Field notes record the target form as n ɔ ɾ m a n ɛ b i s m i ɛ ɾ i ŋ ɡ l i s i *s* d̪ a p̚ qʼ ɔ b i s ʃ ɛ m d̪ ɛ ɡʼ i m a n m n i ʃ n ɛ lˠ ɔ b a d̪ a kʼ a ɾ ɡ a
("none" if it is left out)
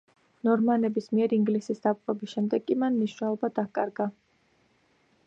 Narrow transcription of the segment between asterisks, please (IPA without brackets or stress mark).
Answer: s